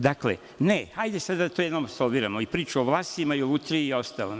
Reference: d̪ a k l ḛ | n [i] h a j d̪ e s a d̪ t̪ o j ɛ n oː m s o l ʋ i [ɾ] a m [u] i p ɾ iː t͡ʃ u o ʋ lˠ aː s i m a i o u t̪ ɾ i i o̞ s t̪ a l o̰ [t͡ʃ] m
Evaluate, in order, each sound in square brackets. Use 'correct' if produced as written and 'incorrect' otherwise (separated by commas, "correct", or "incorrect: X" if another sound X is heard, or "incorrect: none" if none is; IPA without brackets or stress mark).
incorrect: e, correct, incorrect: o, incorrect: none